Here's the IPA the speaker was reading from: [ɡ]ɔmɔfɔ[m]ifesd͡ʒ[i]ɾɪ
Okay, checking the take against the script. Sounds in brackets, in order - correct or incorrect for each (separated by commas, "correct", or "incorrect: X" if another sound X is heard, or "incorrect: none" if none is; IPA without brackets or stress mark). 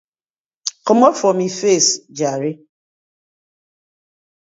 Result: incorrect: k, correct, incorrect: a